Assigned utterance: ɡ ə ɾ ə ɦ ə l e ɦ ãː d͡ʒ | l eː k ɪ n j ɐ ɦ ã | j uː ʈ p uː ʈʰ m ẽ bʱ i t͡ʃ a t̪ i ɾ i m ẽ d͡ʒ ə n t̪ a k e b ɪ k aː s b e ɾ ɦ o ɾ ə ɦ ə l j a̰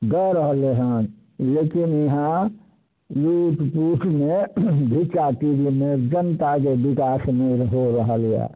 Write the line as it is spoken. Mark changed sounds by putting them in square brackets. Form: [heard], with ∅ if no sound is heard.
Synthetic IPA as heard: ɡ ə ɾ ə ɦ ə l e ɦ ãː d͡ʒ | l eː k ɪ n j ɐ ɦ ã | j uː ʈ p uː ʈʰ m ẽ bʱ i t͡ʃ a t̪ i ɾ i m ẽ d͡ʒ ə n t̪ a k e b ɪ k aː s [m] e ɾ ɦ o ɾ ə ɦ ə l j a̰